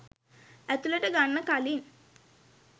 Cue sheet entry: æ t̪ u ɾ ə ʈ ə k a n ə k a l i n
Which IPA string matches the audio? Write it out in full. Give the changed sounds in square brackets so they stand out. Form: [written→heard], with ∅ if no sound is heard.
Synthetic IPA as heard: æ t̪ u [ɾ→l] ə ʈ ə [k→ɡ] a [n→nː] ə k a l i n